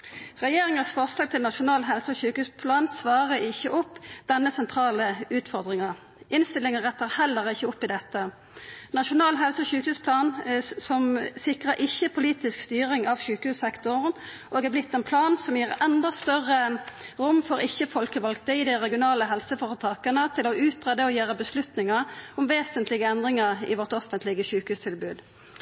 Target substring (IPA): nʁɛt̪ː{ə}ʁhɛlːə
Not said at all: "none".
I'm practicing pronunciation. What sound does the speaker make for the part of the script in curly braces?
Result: ə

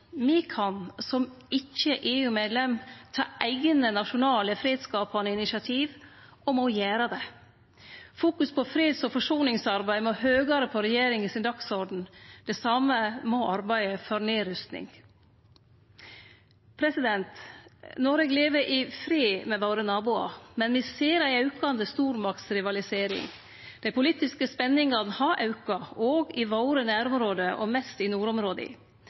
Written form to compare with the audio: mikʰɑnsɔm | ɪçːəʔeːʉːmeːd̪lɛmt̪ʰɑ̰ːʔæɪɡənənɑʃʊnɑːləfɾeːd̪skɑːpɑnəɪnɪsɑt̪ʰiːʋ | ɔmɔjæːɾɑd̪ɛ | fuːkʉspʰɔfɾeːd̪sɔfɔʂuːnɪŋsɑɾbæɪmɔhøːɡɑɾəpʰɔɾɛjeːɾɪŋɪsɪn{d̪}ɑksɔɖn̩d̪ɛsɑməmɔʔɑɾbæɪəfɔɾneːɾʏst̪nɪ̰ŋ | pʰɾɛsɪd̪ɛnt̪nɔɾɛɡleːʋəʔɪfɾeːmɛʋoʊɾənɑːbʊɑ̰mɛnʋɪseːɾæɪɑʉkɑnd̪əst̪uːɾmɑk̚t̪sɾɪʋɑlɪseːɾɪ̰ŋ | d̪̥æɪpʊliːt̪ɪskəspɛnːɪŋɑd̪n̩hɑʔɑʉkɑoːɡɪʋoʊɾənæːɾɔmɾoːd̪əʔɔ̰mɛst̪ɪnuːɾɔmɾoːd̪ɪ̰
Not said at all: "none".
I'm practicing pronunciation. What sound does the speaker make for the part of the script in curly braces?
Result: d̪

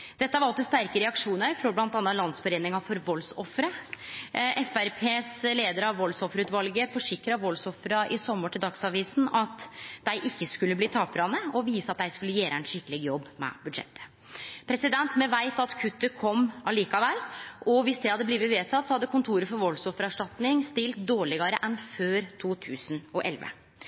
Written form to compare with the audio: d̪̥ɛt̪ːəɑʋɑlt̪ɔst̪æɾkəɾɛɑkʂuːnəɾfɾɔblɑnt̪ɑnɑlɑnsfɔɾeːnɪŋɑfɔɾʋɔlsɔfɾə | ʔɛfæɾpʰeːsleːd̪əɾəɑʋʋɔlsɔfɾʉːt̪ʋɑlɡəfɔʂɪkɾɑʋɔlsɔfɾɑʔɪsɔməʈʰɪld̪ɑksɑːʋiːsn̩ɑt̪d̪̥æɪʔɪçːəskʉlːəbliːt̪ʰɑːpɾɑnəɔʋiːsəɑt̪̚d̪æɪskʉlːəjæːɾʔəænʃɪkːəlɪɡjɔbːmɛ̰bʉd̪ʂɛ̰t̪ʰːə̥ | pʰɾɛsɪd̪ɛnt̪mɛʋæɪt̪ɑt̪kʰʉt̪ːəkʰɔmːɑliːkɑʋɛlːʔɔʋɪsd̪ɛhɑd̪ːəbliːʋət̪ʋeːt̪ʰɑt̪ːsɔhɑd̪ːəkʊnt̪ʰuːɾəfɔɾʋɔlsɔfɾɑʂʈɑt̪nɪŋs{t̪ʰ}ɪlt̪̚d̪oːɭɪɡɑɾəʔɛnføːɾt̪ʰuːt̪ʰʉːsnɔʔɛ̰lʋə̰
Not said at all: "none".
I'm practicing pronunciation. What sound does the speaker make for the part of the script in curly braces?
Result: t̪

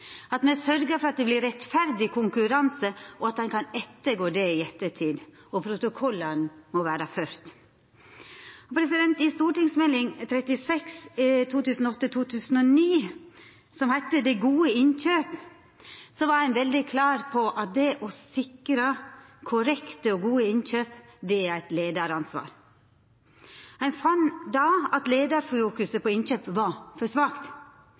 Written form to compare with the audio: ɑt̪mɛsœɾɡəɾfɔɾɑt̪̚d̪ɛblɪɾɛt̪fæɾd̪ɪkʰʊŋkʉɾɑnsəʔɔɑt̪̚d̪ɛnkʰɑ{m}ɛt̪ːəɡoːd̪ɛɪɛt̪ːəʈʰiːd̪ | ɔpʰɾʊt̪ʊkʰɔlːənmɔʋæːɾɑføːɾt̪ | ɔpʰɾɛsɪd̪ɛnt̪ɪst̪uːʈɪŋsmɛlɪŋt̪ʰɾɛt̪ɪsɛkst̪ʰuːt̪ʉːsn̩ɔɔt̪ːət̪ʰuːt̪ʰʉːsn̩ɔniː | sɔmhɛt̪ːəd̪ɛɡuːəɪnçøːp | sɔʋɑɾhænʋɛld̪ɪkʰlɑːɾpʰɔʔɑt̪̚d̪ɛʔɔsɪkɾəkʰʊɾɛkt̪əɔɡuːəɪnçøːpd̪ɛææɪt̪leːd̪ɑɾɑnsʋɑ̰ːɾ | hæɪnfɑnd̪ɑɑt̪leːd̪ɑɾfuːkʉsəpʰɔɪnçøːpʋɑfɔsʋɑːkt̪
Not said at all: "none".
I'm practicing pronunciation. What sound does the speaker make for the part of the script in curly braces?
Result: n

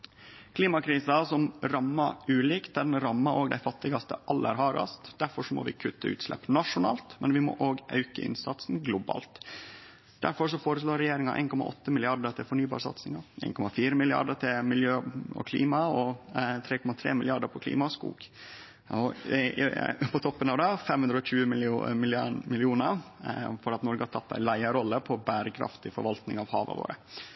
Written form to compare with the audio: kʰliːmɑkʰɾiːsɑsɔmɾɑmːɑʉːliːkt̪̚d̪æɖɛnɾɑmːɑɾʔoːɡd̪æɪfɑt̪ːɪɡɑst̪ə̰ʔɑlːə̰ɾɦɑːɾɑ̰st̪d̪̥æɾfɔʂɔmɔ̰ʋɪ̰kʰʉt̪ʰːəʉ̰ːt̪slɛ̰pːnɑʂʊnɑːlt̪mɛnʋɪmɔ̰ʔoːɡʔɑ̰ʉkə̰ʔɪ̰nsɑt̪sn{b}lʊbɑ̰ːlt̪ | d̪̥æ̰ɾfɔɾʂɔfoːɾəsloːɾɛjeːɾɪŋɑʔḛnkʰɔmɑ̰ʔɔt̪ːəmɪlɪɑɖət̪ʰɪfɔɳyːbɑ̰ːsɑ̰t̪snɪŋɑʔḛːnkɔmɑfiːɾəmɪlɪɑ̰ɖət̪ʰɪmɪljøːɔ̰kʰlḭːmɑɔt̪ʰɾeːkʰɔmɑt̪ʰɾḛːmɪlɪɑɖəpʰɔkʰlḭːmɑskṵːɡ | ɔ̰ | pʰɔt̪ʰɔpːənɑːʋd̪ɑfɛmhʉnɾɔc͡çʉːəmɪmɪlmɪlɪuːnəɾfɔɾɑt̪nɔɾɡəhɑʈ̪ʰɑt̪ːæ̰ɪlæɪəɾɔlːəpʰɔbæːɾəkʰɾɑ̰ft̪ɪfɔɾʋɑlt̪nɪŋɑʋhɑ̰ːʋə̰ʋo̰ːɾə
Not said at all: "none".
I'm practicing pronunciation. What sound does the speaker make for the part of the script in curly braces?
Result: ɡ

